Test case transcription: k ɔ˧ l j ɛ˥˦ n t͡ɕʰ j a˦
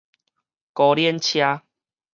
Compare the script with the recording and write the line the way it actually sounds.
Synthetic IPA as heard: k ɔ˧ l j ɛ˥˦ n t͡ɕʰ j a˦